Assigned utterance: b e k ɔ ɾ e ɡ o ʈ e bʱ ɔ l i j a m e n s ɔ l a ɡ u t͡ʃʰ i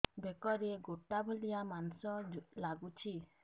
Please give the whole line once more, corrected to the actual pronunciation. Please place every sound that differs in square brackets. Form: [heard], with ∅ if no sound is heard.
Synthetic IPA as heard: b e k ɔ ɾ e ɡ o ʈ [a] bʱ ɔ l i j a m [a] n s ɔ l a ɡ u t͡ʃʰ i